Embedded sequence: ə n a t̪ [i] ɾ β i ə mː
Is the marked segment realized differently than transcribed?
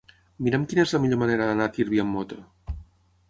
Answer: no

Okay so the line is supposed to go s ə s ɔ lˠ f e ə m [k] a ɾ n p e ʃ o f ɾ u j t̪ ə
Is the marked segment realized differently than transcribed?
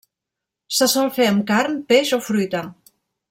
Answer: no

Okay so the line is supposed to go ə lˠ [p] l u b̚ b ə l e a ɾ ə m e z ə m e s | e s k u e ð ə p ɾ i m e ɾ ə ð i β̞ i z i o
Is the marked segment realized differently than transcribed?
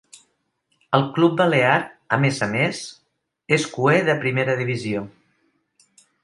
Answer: yes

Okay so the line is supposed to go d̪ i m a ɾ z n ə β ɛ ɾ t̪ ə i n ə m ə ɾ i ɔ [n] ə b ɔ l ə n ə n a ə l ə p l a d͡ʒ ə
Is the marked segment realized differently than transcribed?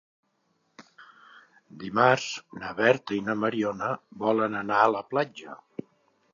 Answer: no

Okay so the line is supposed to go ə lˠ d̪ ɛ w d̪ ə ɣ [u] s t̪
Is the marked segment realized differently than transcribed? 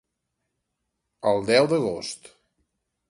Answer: yes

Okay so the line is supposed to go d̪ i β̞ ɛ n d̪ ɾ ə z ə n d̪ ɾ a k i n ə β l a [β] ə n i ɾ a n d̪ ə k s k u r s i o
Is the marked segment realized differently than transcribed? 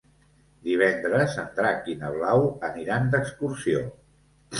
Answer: yes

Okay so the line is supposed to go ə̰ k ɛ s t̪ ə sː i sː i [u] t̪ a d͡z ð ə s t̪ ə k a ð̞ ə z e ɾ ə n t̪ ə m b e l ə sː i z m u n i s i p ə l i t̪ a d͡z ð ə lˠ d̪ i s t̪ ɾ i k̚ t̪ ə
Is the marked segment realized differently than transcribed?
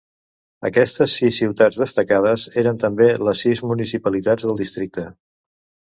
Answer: yes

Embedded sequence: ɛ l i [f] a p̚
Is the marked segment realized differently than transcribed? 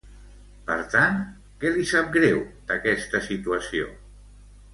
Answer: yes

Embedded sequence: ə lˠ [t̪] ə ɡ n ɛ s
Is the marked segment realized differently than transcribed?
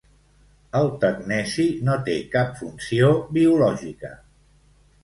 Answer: no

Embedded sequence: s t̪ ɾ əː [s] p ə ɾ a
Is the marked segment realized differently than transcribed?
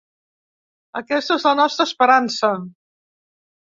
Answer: no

